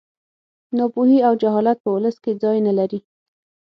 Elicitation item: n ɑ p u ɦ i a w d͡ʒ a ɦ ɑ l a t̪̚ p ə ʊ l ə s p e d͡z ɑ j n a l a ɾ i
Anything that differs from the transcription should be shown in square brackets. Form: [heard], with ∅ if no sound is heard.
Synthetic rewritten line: n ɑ p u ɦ i a w d͡ʒ a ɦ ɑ l a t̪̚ p ə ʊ l ə s [k] e d͡z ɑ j n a l a ɾ i